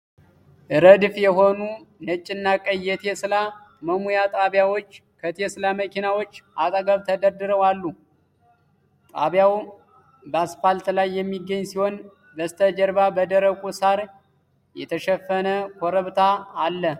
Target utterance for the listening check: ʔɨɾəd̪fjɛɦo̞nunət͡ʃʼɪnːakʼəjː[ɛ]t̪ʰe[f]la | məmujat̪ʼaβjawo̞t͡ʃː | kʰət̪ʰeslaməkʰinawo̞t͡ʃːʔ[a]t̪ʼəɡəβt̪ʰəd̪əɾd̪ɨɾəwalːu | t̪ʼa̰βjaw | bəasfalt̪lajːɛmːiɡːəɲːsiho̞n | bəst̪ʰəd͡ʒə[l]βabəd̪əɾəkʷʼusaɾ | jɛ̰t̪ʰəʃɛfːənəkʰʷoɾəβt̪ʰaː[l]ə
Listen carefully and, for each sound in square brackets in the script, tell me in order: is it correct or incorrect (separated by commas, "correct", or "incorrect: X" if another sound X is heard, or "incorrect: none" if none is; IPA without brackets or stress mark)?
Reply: correct, incorrect: s, correct, incorrect: ɾ, incorrect: lː